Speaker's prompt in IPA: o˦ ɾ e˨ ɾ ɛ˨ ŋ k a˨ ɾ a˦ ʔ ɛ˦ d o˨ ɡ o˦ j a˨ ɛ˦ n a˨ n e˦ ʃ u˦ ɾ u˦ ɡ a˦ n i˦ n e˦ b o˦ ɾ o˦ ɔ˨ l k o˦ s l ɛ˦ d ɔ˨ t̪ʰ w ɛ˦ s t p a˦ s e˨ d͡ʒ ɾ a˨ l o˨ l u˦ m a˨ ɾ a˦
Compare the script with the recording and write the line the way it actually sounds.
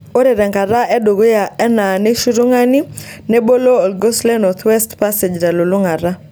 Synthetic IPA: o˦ ɾ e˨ ɾ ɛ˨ ŋ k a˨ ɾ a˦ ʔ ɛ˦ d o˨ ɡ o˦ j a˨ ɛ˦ n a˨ n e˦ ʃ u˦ ɾ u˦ ŋ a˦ n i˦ n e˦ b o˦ l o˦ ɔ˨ l ɡ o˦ s l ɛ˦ n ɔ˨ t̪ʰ w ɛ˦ s t p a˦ s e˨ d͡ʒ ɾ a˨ l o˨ l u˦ ŋ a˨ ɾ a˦